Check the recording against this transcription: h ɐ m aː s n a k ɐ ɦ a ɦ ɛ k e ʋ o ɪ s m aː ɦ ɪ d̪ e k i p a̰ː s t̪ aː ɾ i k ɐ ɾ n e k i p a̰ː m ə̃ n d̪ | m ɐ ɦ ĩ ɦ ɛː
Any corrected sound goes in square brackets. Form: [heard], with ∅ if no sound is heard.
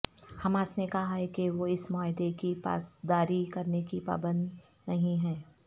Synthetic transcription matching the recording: h ɐ m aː s n [e] k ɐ ɦ a ɦ ɛ k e ʋ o ɪ s m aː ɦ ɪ d̪ e k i p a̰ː s [d̪] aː ɾ i k ɐ ɾ n e k i p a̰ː [b] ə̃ n d̪ | [n] ɐ ɦ ĩ ɦ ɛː